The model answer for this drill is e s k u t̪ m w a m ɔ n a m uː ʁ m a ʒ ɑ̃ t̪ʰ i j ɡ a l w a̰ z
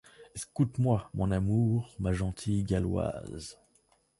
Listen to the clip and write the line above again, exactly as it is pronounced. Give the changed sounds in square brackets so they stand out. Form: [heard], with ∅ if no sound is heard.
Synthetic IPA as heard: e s k u t̪ m w a m [ɔ̃] n a m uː ʁ m a ʒ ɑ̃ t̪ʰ i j ɡ a l w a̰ z